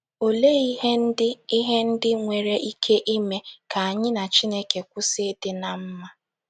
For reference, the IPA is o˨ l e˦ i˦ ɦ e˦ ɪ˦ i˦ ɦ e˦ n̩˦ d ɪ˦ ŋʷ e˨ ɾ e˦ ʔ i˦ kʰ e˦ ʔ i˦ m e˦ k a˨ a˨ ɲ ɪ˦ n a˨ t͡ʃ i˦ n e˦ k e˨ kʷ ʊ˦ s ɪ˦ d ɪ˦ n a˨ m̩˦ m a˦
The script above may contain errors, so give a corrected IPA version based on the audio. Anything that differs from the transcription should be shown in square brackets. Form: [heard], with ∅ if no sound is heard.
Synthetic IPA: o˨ l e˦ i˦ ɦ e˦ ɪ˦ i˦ ɦ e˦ n̩˦ d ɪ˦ ŋʷ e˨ ɾ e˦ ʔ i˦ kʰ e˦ ʔ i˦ m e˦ k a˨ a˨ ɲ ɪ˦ n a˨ t͡ʃ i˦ n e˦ k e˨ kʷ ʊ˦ s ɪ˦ d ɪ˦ n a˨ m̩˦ m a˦

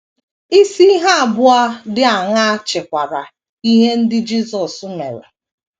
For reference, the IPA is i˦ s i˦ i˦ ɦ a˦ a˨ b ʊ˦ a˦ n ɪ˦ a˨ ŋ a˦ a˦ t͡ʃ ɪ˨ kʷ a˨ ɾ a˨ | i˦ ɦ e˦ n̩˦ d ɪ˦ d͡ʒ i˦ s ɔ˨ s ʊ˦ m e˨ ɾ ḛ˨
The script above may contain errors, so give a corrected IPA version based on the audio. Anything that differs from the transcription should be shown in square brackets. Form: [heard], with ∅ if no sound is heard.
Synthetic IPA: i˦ s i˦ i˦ ɦ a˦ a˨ b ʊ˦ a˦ [d] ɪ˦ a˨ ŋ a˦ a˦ t͡ʃ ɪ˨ kʷ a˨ ɾ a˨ | i˦ ɦ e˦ n̩˦ d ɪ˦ d͡ʒ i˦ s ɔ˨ s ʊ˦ m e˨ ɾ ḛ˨

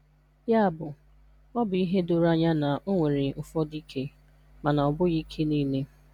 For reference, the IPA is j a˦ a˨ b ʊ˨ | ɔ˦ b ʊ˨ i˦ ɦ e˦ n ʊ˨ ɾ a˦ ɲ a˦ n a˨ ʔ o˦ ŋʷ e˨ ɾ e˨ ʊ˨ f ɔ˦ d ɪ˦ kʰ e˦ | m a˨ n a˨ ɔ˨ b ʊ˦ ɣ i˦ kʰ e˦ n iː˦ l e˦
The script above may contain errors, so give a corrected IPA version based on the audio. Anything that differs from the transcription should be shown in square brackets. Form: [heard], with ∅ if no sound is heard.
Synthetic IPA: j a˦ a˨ b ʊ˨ | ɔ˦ b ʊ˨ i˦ ɦ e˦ [d] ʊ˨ ɾ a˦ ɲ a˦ n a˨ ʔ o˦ ŋʷ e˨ ɾ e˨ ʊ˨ f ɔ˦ d [i˦] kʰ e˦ | m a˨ n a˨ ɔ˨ b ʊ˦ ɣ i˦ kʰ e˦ n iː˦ l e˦

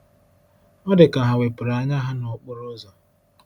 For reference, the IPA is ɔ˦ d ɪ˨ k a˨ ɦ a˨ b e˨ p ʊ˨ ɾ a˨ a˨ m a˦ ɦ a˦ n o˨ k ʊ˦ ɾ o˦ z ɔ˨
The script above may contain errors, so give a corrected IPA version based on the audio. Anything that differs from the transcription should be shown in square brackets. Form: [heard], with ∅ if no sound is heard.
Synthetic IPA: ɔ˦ d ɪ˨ k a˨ ɦ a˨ [w] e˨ p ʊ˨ ɾ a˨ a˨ [ɲ] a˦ ɦ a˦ n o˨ [k͡p] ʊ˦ ɾ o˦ z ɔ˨

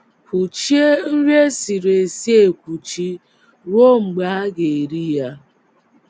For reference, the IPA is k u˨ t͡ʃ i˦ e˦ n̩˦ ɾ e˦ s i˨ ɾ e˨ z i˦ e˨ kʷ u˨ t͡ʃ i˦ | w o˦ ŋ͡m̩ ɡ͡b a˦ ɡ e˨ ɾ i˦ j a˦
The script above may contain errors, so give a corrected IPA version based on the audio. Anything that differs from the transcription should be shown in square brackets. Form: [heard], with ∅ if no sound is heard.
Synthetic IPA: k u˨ t͡ʃ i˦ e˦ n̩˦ ɾ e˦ s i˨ ɾ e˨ [s] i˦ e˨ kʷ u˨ t͡ʃ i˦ | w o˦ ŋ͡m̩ ɡ͡b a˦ ɡ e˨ ɾ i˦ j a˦

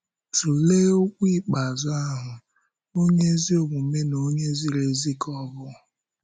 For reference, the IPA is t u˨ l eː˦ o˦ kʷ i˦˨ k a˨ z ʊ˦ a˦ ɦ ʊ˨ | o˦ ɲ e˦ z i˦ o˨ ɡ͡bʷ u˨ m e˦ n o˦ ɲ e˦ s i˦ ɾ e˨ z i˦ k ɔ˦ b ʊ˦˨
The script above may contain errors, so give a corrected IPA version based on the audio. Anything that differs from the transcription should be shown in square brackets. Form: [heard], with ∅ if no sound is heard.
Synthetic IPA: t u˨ l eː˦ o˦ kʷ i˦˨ [k͡p] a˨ z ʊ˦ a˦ ɦ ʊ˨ | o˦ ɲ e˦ z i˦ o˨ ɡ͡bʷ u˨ m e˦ n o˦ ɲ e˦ [z] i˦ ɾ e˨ z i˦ k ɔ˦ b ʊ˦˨

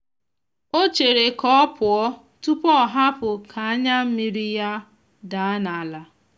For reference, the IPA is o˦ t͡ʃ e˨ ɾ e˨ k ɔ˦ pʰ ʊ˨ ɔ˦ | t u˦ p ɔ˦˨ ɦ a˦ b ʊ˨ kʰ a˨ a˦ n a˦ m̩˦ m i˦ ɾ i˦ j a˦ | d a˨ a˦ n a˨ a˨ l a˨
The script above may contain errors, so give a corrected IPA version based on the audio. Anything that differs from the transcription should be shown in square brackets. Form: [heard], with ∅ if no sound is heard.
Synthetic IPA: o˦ t͡ʃ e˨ ɾ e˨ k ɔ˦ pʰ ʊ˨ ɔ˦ | t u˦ p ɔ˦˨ ɦ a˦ [p] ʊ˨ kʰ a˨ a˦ [ɲ] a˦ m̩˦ m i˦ ɾ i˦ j a˦ | d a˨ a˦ n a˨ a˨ l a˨

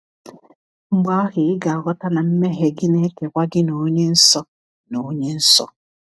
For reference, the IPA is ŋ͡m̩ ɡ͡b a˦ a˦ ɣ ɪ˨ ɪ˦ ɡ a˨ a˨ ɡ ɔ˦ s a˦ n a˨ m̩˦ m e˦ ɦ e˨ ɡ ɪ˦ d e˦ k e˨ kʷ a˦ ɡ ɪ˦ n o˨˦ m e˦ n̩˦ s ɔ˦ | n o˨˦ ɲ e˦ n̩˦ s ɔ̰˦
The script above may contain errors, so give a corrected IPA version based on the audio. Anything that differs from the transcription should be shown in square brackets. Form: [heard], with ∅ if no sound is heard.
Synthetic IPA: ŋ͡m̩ ɡ͡b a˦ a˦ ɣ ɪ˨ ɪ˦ ɡ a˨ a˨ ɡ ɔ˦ [t] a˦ n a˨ m̩˦ m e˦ ɦ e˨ ɡ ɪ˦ [n] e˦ k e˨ kʷ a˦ ɡ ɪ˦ n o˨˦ [ɲ] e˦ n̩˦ s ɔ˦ | n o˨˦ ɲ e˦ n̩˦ s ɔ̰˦

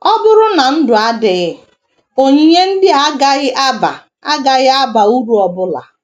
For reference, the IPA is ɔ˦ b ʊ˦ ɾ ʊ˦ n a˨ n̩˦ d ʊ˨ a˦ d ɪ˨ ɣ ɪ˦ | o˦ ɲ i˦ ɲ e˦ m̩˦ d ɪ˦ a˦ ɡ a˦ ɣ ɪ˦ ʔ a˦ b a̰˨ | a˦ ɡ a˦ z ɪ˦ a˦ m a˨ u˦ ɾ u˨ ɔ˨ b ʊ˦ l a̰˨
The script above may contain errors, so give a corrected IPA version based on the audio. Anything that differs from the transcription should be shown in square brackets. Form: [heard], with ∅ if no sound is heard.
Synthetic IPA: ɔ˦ b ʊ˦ ɾ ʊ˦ n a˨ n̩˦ d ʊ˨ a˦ d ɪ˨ ɣ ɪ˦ | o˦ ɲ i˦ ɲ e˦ [n̩˦] d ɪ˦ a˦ ɡ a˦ ɣ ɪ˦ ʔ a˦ b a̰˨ | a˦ ɡ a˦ [ɣ] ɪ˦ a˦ [b] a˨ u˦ ɾ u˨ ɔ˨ b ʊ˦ l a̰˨

